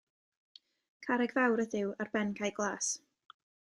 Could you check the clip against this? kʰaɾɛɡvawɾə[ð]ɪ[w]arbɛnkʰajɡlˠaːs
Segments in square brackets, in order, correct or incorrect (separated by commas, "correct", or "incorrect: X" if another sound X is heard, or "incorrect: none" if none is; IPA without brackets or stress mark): correct, correct